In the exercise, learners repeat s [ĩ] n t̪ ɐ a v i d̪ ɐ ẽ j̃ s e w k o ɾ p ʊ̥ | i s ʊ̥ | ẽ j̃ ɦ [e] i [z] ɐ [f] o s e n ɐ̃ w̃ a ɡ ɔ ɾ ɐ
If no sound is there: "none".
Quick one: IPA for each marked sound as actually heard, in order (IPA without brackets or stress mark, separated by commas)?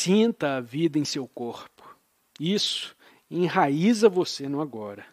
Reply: ĩ, a, z, v